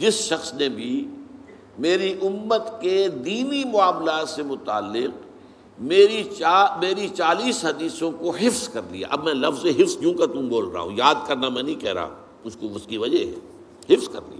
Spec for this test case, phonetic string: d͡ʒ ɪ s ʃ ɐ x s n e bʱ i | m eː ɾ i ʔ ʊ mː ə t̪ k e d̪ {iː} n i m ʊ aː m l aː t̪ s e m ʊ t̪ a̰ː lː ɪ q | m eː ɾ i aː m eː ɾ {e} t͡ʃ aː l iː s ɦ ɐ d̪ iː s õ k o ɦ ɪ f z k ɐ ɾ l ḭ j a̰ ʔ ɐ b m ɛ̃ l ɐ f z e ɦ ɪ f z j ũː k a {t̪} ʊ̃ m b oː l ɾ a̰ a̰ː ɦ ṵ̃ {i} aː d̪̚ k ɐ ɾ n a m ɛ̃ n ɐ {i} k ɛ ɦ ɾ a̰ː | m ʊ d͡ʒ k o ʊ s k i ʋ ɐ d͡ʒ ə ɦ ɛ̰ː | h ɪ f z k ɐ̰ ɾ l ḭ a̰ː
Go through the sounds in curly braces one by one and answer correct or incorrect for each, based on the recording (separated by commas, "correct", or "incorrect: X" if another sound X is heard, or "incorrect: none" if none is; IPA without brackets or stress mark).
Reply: correct, incorrect: i, correct, incorrect: j, incorrect: ĩ